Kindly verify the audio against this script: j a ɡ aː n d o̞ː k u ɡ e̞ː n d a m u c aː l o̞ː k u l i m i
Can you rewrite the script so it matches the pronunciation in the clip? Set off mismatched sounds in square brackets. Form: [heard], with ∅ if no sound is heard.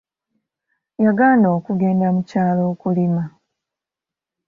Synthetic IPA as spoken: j a ɡ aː n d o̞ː k u ɡ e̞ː n d a m u c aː l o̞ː k u l i m [a]

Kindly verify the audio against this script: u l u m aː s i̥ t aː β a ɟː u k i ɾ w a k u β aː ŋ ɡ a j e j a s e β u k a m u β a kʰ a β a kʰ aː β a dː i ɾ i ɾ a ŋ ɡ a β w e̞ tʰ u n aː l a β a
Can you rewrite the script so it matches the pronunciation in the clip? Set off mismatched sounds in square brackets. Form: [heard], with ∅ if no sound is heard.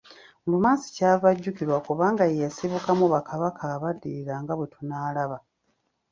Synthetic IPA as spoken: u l u m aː s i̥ [c] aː [v] a ɟː u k i ɾ w a k u β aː ŋ ɡ a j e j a s [i] β u k a m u β a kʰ a β a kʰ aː β a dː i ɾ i ɾ a ŋ ɡ a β w e̞ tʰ u n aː l a β a

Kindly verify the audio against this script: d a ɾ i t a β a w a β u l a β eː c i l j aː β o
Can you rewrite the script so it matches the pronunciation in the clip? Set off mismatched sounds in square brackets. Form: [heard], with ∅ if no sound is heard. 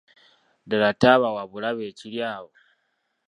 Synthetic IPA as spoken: d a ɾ [a] t a β a w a β u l a β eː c i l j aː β o

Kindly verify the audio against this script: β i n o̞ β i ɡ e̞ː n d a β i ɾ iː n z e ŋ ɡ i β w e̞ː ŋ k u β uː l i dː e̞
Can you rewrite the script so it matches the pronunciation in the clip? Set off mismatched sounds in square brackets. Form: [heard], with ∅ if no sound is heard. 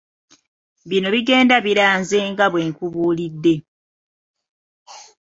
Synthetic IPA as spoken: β i n o̞ β i ɡ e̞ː n d a β i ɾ [aː] n z e ŋ ɡ [a] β w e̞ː ŋ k u β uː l i dː e̞

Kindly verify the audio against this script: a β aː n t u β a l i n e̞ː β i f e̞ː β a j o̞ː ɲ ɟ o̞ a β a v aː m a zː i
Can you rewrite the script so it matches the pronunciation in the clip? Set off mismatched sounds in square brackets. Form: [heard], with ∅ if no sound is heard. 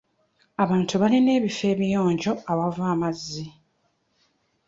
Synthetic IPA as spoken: a β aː n t u β a l i n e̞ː β i f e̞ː β [i] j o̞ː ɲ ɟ o̞ a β a v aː m a zː i

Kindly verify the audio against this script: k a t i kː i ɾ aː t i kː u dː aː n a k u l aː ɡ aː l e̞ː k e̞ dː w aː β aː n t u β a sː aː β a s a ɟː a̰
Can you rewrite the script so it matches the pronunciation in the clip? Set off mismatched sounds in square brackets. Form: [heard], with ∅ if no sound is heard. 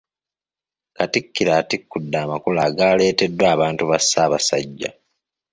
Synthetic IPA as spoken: k a t i kː i ɾ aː t i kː u dː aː [m] a k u l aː ɡ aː l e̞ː [t] e̞ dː w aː β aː n t u β a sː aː β a s a ɟː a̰

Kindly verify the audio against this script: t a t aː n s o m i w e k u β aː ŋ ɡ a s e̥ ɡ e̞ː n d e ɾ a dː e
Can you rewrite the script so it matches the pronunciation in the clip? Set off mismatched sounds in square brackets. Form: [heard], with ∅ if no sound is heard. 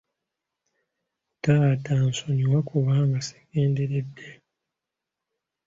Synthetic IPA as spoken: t a t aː n s o [ɲ] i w [a] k u β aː ŋ ɡ a s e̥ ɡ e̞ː n d e ɾ [e] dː e

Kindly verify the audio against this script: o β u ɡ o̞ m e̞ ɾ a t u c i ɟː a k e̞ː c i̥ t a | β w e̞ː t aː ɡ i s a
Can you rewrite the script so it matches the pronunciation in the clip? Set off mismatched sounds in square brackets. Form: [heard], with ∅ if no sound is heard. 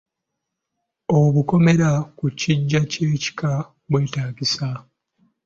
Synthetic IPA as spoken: o β u [k] o̞ m e̞ ɾ a [k] u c i ɟː a [c] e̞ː c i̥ [k] a | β w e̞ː t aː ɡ i s a

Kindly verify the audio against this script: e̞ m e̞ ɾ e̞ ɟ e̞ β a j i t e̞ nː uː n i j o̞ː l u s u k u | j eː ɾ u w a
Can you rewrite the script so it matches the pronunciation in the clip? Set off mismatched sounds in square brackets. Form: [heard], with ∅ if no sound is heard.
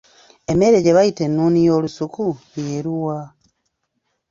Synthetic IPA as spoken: e̞ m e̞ ɾ e̞ ɟ e̞ β a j i t e̞ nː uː n i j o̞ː l u s u k u | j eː ɾ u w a

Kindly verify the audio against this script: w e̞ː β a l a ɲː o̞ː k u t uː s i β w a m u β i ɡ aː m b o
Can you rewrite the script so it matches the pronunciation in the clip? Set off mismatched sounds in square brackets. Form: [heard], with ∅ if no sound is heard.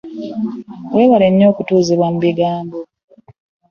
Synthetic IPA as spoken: w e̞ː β a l [e] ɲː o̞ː k u t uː [z] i β w a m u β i ɡ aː m b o

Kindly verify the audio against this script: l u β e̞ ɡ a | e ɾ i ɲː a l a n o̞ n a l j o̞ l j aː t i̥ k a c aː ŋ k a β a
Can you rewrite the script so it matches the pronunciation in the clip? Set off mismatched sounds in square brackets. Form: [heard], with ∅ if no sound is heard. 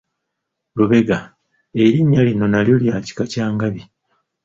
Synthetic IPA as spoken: l u β e̞ ɡ a | e ɾ i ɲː a l [i] n o̞ n a l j o̞ l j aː [c] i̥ k a c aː ŋ [ɡ] a β [i]

